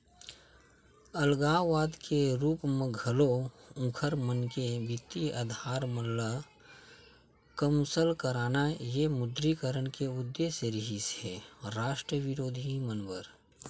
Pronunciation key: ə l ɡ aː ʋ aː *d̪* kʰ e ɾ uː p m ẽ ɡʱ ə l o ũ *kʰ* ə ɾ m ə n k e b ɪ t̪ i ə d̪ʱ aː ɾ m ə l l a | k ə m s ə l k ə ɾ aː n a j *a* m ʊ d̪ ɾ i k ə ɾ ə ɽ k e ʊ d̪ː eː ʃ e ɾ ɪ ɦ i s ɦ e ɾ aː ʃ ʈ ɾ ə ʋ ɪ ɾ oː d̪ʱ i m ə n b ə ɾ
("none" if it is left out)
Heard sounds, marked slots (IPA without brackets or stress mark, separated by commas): d̪, kʰ, e